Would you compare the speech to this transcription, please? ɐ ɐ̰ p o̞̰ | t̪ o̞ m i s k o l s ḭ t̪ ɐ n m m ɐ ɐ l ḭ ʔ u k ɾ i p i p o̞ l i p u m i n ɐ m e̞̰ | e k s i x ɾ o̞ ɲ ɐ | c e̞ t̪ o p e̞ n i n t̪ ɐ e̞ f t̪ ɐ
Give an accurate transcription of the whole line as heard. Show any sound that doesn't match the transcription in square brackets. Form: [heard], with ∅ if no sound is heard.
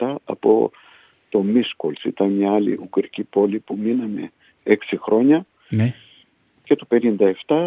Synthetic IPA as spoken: ɐ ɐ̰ p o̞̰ | t̪ o̞ m i s k o l s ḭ t̪ ɐ n m [ɲ] ɐ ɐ l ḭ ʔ u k ɾ i [c] i p o̞ l i p u m i n ɐ m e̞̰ | e k s i x ɾ o̞ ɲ ɐ | c e̞ t̪ o p e̞ n i n [d̪] ɐ e̞ f t̪ ɐ